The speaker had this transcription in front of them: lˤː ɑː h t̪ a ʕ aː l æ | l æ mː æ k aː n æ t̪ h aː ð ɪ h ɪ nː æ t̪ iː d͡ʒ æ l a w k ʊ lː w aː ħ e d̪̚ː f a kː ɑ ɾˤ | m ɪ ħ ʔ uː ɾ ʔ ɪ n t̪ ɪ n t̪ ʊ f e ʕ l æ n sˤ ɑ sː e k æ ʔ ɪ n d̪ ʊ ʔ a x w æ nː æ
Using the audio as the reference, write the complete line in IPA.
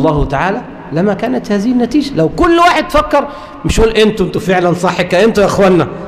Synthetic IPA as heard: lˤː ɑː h t̪ a ʕ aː l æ | l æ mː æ k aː n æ t̪ h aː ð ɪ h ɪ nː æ t̪ iː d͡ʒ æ l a w k ʊ lː w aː ħ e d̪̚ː f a kː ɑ ɾˤ | m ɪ ʃ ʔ uː l ʔ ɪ n t̪ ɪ n t̪ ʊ f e ʕ l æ n sˤ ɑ ħː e k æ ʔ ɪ n t̪ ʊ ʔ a x w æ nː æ